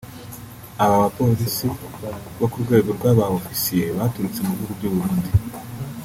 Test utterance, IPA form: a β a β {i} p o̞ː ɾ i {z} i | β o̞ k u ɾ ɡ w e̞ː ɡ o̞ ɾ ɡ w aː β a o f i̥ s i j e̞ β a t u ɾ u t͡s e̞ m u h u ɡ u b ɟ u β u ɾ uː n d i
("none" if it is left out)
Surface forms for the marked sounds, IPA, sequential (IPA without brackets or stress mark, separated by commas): a, s